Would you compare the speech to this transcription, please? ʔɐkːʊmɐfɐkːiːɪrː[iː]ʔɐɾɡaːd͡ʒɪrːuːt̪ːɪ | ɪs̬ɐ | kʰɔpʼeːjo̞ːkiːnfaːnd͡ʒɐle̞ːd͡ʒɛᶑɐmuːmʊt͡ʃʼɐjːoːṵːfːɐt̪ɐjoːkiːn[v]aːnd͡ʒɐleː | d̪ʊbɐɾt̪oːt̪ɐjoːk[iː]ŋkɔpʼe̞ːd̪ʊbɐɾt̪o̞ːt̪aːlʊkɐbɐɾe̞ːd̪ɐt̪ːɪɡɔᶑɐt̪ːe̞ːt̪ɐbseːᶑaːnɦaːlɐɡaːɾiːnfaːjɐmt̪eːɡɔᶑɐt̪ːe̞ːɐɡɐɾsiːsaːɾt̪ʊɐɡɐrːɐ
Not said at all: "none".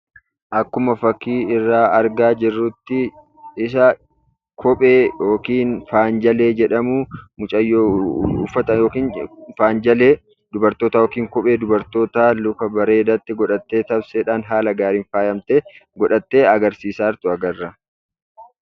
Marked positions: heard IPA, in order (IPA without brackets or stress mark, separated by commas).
aː, f, iː